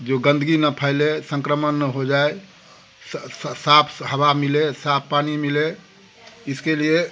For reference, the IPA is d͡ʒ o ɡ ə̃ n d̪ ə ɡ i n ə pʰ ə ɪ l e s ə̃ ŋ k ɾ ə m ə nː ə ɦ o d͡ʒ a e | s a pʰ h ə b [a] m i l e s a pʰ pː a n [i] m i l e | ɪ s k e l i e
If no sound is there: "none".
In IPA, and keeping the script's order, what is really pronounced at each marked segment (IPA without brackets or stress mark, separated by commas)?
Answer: a, i